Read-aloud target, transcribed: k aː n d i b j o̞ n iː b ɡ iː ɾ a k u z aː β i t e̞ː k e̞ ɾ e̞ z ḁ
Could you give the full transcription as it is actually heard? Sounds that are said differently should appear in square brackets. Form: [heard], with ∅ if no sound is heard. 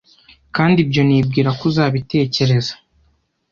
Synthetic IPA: k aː n d i b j o̞ n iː b ɡ iː ɾ a k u z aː β i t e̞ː [c] e̞ ɾ e̞ z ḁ